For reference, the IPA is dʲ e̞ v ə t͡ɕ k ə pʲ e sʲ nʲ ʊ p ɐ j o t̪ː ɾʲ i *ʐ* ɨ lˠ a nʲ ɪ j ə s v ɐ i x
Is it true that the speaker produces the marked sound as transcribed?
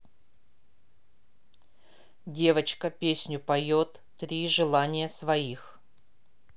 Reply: yes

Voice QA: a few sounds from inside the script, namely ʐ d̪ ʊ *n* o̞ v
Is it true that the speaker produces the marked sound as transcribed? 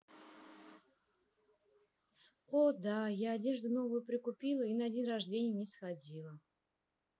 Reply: yes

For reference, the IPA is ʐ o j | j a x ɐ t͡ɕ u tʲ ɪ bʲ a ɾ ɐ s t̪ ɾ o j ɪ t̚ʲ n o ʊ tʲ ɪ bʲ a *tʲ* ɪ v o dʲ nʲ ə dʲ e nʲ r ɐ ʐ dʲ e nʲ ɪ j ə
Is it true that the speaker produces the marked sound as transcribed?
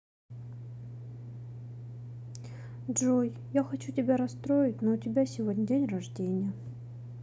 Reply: no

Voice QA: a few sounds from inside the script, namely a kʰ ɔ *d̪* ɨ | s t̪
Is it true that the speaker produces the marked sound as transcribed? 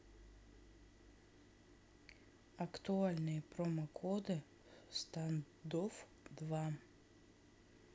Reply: yes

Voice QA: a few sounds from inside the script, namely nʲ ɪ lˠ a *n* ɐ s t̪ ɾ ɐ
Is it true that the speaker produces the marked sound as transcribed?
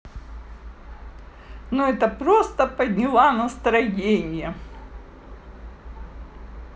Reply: yes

